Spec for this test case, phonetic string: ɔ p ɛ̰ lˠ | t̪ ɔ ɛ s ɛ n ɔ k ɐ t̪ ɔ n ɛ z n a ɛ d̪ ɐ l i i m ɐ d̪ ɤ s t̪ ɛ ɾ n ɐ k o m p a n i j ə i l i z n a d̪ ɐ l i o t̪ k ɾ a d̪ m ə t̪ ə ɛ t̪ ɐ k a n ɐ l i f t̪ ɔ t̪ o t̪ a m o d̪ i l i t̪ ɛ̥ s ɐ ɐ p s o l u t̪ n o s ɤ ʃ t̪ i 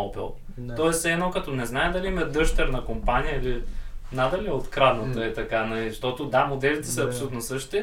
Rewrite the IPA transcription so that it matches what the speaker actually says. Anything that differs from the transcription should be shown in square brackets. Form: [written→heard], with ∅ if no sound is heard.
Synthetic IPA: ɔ p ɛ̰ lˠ | t̪ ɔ ɛ s ɛ n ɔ k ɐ t̪ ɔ n ɛ z n a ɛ d̪ ɐ l i i m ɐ d̪ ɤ [s→ʃ] t̪ ɛ ɾ n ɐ k o m p a n i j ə i l i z n a d̪ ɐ l i o t̪ k ɾ a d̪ [m→n] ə t̪ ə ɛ t̪ ɐ k a n ɐ l i [f→ʃ] t̪ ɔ t̪ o [t̪→d̪] a m o d̪ [i→ɛ] l i t̪ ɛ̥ s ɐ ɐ p s o l u t̪ n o s ɤ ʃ t̪ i